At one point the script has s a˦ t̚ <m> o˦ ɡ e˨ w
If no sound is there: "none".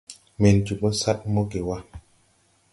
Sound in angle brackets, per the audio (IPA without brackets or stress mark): m